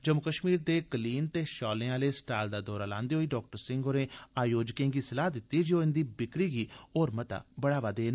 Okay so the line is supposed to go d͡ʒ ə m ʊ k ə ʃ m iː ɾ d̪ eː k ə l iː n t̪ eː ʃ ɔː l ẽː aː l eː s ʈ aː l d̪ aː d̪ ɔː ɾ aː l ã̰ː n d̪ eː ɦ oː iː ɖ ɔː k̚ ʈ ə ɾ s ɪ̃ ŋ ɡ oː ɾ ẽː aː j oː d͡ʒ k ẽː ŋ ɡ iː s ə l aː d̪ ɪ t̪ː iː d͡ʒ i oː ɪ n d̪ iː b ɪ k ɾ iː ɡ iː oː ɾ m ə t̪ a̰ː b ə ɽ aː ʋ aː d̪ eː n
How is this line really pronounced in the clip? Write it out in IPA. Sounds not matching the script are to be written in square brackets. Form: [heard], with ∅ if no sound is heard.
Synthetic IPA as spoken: d͡ʒ ə m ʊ k ə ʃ m iː ɾ d̪ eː k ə l iː n t̪ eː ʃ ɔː l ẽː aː l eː s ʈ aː l d̪ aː d̪ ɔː ɾ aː l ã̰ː n d̪ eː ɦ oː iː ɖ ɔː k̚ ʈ ə ɾ s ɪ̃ ŋ ɡ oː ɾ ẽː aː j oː d͡ʒ k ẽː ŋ ɡ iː s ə l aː d̪ ɪ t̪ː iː d͡ʒ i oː ɪ n d̪ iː b ɪ k ɾ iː ɡ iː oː ɾ m ə t̪ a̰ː b ə ɽ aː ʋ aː d̪ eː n